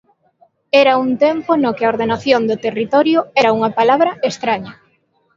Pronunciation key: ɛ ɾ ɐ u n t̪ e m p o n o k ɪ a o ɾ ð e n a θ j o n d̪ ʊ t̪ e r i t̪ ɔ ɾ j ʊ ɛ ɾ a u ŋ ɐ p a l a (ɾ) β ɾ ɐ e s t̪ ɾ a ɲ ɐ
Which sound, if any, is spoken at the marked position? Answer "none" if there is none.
none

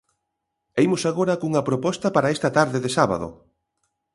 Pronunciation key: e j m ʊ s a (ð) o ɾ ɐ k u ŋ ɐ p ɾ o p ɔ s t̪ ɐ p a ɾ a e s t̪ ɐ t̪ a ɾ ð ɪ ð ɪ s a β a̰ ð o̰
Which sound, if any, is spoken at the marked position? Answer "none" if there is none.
ɣ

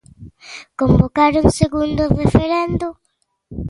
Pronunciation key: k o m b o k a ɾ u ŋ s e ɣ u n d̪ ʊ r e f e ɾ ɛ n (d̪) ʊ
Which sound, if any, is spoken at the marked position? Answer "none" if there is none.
d̪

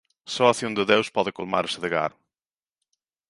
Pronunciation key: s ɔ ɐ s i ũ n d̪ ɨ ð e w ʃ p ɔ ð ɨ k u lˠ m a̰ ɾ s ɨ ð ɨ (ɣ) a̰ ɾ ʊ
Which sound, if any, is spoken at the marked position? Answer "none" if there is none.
ɣ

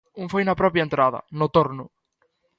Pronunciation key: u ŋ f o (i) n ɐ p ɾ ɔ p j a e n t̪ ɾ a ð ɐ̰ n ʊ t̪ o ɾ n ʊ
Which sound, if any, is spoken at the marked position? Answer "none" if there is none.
j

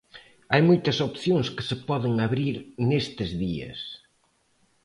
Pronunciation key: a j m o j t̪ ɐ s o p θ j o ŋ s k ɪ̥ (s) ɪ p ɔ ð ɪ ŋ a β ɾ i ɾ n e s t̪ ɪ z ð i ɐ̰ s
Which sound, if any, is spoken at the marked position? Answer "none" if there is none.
s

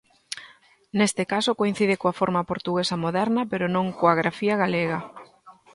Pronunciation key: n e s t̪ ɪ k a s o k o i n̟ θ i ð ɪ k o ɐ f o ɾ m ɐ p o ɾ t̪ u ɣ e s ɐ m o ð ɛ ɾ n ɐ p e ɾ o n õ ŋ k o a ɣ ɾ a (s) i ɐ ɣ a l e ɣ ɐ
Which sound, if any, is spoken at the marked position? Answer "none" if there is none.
f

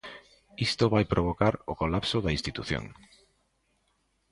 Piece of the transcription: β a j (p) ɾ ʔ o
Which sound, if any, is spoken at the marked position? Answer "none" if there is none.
p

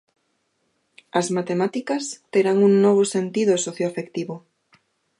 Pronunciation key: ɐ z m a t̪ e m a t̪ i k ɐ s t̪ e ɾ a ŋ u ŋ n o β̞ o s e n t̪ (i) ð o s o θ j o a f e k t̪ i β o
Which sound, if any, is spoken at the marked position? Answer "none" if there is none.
i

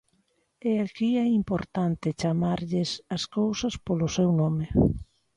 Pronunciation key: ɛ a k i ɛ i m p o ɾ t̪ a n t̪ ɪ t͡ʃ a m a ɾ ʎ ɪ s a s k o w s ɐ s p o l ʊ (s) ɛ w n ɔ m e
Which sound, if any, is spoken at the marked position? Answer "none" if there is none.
s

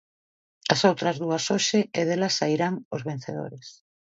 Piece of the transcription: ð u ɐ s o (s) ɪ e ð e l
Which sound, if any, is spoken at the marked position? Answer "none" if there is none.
ʃ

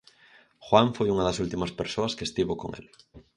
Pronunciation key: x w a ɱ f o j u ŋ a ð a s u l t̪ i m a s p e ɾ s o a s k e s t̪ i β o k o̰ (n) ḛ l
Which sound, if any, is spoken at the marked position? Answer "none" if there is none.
ŋ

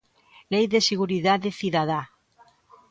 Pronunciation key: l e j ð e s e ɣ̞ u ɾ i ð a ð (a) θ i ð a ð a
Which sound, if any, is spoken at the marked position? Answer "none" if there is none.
e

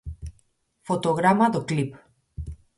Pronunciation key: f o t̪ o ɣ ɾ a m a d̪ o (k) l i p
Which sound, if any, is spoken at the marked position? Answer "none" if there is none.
k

